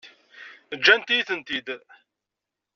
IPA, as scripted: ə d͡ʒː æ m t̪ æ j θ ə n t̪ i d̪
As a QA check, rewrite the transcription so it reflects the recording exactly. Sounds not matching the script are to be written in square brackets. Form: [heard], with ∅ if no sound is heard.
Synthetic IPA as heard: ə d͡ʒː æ [n] t̪ [i] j θ ə n t̪ i d̪